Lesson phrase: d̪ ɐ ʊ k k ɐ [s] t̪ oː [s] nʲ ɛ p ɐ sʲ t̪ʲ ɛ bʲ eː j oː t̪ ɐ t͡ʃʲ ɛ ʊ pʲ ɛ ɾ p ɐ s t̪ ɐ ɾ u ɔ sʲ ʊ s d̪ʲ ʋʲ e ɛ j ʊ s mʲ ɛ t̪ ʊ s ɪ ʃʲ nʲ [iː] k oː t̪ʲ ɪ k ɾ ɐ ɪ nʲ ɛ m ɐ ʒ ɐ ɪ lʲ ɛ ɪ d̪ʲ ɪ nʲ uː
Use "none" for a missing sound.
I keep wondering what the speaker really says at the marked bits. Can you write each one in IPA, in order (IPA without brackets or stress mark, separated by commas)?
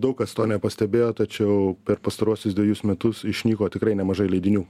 s, none, iː